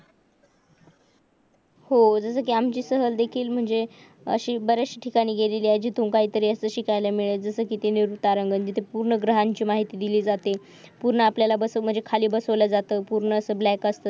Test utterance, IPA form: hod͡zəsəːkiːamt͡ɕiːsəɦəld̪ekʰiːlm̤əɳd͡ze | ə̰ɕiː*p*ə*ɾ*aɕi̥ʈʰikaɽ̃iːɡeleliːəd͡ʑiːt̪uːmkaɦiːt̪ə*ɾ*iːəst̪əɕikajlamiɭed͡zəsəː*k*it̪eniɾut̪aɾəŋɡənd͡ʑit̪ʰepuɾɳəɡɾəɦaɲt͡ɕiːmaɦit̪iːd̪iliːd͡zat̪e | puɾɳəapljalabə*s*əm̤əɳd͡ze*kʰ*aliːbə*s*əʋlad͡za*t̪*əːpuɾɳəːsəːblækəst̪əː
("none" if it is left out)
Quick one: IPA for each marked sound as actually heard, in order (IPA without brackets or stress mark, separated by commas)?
b, ɾ, ɾ, k, s, kʰ, s, t̪